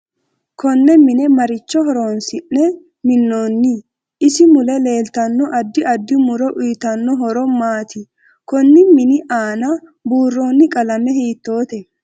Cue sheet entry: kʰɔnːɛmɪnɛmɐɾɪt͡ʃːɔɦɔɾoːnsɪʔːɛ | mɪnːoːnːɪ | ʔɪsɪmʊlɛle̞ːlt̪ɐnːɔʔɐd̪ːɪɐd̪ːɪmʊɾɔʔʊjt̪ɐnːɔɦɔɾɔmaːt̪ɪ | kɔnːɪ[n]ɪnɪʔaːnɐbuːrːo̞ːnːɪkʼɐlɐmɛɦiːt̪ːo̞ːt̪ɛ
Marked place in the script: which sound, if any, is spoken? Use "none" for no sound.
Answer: m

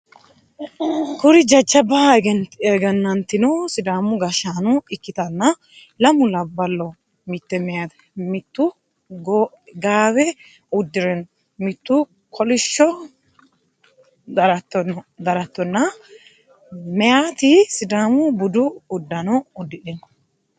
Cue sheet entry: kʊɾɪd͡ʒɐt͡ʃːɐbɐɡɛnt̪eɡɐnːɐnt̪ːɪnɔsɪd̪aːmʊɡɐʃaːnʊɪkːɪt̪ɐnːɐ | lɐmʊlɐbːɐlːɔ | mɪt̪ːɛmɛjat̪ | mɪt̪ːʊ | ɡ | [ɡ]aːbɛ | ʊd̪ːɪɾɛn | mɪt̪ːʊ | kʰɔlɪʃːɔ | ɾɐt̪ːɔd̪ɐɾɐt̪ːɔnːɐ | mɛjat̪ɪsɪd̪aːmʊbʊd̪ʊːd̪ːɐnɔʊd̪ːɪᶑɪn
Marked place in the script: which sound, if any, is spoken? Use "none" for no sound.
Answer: ɡ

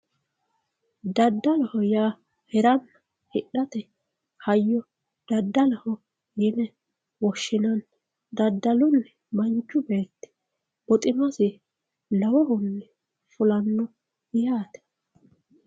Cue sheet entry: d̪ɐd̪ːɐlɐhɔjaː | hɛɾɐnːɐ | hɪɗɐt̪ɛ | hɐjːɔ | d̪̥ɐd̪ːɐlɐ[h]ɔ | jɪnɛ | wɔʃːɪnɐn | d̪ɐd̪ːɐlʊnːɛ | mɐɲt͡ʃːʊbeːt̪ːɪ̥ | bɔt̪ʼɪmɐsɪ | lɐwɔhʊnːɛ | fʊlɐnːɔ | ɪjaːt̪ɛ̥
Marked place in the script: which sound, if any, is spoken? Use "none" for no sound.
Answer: h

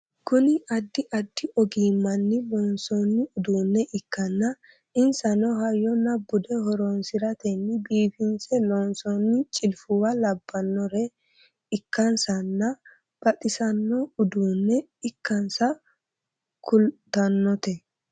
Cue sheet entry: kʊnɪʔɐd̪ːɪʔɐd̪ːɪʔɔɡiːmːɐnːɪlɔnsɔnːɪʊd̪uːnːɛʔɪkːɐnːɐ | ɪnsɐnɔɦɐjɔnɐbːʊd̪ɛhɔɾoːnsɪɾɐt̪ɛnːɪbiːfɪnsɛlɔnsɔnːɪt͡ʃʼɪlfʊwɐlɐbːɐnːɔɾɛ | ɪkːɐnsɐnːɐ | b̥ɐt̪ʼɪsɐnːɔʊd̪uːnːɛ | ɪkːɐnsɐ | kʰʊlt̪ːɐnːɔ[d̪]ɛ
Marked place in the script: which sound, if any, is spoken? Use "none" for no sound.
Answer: t̪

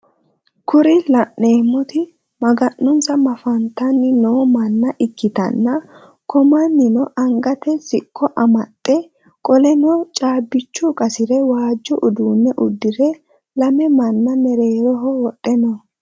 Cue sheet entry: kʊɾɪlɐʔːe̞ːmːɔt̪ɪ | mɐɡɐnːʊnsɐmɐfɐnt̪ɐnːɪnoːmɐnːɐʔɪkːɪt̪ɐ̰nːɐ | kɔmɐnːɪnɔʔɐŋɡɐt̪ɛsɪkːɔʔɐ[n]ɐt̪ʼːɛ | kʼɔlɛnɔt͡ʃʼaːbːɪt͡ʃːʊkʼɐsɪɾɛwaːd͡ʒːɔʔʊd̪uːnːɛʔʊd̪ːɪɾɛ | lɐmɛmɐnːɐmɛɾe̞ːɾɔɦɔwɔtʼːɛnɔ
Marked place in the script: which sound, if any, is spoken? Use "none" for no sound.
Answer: m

